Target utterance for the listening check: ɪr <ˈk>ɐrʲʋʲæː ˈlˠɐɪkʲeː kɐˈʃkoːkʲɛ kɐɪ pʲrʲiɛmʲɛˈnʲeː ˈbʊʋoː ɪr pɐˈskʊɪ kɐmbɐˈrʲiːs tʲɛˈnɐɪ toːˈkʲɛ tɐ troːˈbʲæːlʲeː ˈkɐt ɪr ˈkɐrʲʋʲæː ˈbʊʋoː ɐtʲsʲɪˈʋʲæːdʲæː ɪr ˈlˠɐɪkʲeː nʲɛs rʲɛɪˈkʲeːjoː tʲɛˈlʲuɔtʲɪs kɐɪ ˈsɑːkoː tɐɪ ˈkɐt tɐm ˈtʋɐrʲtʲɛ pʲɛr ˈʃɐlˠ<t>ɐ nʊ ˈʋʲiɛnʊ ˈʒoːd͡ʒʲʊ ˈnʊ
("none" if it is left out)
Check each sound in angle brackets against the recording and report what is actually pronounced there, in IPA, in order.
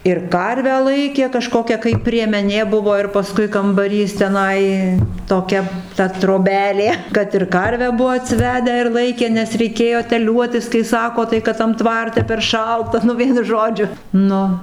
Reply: k, t

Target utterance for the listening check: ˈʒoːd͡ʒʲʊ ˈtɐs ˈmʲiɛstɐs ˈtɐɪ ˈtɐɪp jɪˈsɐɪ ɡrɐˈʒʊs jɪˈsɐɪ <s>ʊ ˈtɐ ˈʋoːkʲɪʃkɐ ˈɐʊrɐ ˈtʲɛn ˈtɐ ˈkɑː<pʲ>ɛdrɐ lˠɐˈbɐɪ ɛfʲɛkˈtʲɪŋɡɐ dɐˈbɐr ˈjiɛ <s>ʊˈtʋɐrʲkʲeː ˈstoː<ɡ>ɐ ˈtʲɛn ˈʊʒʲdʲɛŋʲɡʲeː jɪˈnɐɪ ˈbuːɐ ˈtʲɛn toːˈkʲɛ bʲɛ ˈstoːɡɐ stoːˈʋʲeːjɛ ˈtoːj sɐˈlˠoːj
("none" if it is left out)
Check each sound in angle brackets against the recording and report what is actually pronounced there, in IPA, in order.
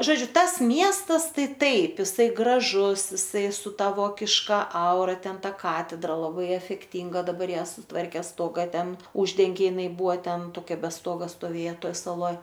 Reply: s, tʲ, s, ɡ

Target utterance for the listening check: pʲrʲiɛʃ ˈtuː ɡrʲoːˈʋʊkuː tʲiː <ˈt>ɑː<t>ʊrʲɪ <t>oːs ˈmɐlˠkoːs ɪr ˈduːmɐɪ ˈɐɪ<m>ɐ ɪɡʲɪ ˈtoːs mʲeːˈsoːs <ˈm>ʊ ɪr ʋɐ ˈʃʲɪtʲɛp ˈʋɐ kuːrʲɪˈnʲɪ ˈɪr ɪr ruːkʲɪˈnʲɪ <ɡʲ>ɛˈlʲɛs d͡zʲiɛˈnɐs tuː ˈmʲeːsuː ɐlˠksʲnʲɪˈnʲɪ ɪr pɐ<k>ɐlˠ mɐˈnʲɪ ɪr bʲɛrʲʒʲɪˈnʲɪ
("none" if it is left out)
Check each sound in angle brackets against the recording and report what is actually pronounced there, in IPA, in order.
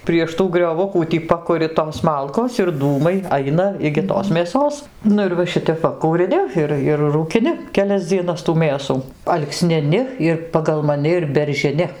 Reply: p, k, t, n, n, kʲ, ɡ

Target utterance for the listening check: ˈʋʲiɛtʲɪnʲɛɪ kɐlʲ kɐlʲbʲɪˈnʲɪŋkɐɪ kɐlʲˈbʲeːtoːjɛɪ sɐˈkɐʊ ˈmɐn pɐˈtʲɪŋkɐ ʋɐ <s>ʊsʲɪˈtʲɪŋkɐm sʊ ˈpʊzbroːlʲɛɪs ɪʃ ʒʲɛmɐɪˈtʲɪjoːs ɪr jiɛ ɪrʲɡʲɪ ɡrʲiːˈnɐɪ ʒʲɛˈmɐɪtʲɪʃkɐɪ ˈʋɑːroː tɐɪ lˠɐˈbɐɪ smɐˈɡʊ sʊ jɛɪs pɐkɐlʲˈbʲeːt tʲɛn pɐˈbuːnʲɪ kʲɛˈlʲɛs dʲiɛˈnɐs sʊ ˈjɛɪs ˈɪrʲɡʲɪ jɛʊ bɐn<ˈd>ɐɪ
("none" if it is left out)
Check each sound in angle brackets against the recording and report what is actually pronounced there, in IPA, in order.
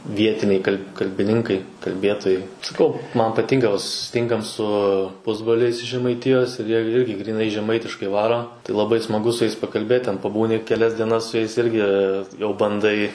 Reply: s, d

